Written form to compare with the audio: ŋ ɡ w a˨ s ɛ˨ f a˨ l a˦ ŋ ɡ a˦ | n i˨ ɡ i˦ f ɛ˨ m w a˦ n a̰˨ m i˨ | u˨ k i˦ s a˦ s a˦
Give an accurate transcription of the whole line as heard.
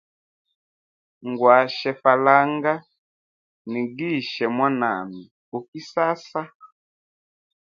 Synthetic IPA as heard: ŋ ɡ w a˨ ʃ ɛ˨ f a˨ l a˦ ŋ ɡ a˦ | n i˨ ɡ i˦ ʃ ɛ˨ m w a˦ n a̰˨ m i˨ | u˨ k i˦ s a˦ s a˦